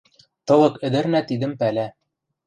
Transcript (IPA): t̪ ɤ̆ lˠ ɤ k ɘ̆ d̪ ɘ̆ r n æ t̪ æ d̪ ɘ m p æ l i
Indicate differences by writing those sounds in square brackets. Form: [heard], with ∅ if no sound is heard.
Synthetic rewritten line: t̪ ɤ̆ lˠ ɤ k ɘ̆ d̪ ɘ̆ [ɾ] n æ t̪ [i] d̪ ɘ m p æ l [æ]